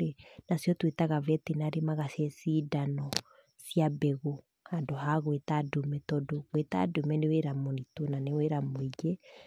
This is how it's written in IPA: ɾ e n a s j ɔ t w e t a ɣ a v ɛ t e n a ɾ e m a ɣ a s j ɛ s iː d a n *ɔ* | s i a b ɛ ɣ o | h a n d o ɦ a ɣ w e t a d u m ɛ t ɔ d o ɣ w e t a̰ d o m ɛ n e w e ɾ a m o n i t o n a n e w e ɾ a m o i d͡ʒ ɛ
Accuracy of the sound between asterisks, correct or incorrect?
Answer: correct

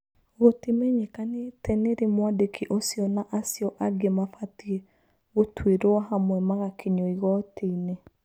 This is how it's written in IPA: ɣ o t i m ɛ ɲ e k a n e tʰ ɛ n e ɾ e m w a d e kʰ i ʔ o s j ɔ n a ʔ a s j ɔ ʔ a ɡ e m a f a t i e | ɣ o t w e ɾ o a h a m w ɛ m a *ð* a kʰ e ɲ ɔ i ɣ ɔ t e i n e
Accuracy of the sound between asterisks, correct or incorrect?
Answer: incorrect: ɣ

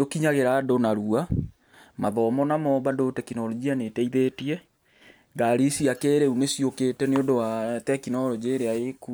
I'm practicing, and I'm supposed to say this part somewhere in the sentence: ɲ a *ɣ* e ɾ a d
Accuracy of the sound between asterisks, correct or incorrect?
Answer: correct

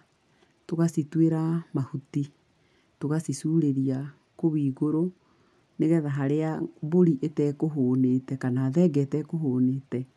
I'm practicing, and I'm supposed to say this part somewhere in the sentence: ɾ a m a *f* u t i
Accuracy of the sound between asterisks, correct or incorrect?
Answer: incorrect: h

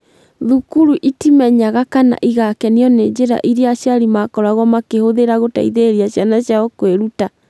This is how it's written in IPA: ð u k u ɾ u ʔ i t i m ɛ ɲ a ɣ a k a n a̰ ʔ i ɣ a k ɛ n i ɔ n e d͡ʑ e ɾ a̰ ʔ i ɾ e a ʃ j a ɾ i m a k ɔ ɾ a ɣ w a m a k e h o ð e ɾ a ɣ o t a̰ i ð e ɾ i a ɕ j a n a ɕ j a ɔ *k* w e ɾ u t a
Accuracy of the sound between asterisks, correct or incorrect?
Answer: correct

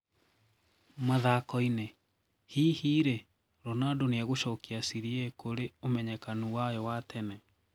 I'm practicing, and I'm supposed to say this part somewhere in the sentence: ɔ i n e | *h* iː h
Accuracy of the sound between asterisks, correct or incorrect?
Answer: correct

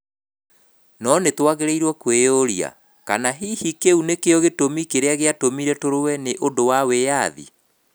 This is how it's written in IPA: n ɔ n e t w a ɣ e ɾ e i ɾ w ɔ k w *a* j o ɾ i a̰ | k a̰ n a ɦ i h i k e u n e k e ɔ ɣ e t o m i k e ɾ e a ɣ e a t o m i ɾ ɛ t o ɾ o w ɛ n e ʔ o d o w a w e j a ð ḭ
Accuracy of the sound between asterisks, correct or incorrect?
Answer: incorrect: e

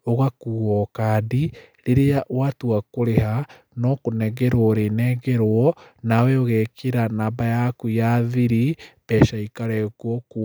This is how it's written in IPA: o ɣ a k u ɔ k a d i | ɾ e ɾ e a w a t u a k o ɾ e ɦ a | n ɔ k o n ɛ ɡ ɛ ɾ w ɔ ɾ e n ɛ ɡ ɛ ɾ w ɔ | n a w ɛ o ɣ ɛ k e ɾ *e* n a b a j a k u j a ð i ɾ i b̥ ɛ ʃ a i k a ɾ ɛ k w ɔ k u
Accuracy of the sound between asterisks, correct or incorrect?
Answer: incorrect: a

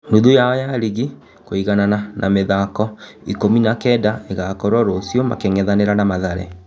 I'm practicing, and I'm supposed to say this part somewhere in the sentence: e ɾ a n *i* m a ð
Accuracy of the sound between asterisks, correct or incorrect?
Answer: incorrect: a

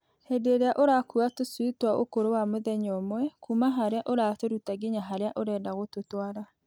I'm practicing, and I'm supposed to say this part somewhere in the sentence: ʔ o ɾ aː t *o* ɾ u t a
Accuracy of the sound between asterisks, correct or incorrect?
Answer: correct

